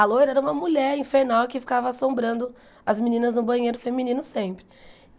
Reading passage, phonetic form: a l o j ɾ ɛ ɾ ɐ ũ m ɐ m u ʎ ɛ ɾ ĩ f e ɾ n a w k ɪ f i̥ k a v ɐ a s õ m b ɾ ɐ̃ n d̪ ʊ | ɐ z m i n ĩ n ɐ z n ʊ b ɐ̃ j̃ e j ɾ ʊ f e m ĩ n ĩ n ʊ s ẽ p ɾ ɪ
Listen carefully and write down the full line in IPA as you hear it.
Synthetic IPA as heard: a l o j ɾ ɛ ɾ ɐ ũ m ɐ m u ʎ ɛ ɾ ĩ f e ɾ n a w k ɪ f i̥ k a v ɐ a s õ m b ɾ ɐ̃ n d̪ ʊ | ɐ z m i n ĩ n ɐ z n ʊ b ɐ̃ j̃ e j ɾ ʊ f e m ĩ n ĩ n ʊ s ẽ p ɾ ɪ